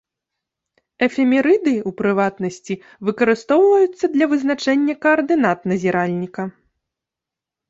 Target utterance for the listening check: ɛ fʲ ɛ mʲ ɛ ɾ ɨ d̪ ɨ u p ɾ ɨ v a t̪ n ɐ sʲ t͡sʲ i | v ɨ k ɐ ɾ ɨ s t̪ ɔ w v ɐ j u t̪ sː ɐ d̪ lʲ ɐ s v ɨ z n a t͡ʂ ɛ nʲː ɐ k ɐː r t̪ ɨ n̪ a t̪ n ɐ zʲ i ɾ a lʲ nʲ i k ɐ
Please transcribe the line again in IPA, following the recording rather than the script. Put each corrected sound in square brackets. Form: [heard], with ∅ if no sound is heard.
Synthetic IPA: ɛ fʲ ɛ mʲ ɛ ɾ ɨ d̪ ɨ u p ɾ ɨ v a t̪ n ɐ sʲ t͡sʲ i | v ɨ k ɐ ɾ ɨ s t̪ ɔ w v ɐ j u t̪ sː ɐ d̪ lʲ ɐ [∅] v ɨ z n a t͡ʂ ɛ nʲː ɐ k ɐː r [d̪] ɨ n̪ a t̪ n ɐ zʲ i ɾ a lʲ nʲ i k ɐ